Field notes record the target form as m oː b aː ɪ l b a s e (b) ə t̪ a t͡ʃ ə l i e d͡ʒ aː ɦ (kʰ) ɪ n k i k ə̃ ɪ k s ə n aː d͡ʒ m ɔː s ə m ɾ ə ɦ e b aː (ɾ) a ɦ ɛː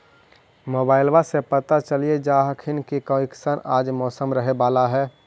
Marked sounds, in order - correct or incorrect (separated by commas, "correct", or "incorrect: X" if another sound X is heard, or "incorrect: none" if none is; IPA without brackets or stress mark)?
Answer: incorrect: p, correct, incorrect: l